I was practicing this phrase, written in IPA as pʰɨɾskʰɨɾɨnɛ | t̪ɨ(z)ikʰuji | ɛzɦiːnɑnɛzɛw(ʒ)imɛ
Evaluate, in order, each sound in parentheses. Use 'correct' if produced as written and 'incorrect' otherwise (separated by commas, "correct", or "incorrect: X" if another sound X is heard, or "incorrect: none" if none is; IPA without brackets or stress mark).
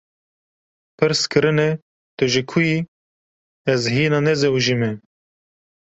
incorrect: ʒ, correct